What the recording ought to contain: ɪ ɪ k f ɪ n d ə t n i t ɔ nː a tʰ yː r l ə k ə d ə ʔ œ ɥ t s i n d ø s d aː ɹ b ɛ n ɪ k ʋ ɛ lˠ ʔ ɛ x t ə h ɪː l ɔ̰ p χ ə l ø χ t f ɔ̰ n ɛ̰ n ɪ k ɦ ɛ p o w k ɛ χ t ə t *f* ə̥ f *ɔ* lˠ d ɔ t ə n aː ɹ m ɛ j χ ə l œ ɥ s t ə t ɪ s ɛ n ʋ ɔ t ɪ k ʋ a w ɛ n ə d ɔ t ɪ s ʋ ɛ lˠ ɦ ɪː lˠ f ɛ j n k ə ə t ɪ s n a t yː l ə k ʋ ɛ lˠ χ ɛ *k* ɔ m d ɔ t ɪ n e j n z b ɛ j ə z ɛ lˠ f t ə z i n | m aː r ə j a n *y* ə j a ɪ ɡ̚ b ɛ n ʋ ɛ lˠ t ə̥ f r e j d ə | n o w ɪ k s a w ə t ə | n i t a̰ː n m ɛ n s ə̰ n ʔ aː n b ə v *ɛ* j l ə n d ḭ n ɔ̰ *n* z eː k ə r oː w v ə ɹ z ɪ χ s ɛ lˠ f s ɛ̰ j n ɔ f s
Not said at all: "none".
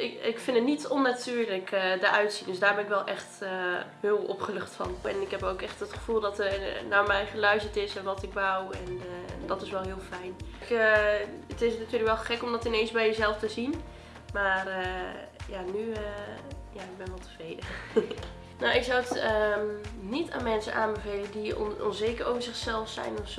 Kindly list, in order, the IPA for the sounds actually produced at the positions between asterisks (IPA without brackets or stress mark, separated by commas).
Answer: χ, u, k, y, e, n